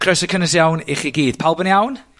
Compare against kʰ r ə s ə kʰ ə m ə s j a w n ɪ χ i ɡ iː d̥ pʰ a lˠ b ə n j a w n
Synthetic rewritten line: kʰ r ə s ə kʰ ə n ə s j a w n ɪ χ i ɡ iː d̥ pʰ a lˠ b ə n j a w n